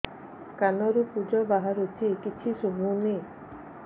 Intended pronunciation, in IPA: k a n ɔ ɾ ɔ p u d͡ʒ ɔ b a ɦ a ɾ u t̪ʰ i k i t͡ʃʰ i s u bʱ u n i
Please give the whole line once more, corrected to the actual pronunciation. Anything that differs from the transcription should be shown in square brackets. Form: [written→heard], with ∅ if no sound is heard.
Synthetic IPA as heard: k a n ɔ ɾ [ɔ→u] p u d͡ʒ ɔ b a ɦ a ɾ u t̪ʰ i k i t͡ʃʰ i s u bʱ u n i